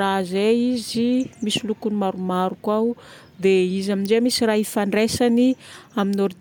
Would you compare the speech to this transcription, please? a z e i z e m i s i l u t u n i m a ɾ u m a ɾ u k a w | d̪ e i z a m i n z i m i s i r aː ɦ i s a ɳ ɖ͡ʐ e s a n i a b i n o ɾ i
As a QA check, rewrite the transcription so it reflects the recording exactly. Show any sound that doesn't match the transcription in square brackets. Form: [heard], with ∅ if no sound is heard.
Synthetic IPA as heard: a z e i z [i] m i s i l u [k] u n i m a ɾ u m a ɾ u k a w | d̪ e i z a m i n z [e] m i s i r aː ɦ i [f] a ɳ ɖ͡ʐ e s a n i a [m] i n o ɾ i